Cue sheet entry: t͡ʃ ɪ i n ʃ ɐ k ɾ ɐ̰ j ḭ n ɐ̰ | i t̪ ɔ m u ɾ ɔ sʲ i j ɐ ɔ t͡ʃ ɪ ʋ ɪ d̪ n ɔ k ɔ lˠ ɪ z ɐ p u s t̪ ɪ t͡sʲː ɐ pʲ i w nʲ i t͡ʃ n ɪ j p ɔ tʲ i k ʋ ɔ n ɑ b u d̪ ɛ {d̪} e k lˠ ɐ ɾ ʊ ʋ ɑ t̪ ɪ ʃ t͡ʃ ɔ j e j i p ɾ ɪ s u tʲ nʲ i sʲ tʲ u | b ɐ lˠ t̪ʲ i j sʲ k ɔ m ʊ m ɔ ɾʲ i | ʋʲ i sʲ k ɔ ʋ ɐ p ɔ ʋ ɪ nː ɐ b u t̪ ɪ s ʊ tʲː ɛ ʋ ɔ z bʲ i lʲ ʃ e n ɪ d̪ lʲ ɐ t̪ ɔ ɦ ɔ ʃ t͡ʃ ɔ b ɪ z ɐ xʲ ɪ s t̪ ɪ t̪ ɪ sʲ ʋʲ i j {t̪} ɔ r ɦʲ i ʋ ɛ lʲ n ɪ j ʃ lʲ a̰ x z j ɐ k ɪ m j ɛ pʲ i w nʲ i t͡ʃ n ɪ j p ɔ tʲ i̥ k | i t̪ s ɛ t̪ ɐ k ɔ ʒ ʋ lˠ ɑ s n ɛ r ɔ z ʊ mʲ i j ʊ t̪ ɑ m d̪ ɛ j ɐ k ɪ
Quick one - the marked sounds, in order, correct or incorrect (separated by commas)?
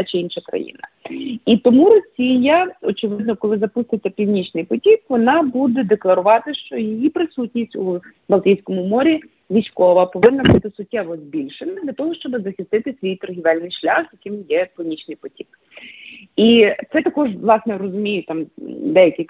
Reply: correct, correct